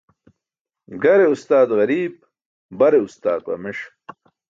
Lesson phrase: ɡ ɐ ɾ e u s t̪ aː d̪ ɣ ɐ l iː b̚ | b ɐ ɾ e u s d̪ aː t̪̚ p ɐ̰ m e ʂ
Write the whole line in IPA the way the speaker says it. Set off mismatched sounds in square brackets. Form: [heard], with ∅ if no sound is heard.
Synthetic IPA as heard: ɡ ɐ ɾ e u s t̪ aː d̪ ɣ ɐ [ɾ] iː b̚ | b ɐ ɾ e u s [t̪] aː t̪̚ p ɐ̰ m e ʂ